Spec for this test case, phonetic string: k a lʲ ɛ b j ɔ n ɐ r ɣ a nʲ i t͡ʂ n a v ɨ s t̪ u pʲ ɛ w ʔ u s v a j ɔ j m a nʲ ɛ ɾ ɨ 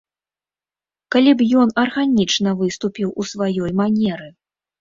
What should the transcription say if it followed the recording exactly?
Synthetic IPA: k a lʲ i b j ɔ n ɐ r ɣ a nʲ i t͡ʂ n ɐ v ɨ s t̪ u pʲ i w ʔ u s v a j ɔ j m a nʲ ɛ ɾ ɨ